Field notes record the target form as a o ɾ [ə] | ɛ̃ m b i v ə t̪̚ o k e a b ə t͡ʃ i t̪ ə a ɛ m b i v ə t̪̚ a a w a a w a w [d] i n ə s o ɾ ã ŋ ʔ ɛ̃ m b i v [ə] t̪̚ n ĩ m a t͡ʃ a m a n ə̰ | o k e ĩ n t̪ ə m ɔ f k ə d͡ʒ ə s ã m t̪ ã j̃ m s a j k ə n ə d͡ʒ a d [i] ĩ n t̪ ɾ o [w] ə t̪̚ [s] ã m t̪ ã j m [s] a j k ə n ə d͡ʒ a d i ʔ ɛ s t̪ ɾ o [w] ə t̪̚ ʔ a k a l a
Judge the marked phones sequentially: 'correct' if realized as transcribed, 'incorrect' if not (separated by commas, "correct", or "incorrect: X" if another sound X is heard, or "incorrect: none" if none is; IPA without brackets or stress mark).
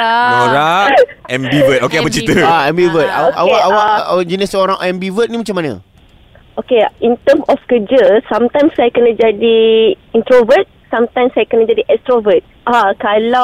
incorrect: a, incorrect: d͡ʒ, correct, correct, incorrect: v, correct, correct, incorrect: v